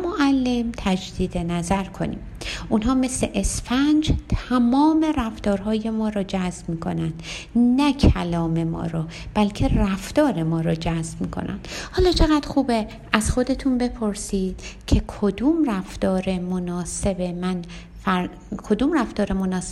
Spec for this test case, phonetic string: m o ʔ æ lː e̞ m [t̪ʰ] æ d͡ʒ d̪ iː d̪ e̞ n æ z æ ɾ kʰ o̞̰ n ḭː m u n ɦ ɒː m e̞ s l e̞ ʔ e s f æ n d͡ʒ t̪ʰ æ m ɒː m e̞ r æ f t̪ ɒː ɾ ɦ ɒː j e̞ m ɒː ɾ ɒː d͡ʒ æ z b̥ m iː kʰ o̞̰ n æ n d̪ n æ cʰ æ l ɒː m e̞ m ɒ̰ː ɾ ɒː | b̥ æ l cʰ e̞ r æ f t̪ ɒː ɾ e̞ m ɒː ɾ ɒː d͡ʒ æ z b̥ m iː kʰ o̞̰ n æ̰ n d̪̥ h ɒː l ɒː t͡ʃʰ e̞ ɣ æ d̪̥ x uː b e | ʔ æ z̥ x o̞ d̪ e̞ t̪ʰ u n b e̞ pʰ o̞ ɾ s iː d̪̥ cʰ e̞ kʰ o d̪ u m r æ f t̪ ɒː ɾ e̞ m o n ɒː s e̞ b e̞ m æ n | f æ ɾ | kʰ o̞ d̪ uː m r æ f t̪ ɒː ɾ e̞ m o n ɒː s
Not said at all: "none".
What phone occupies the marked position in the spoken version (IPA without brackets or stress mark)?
t̪ʰ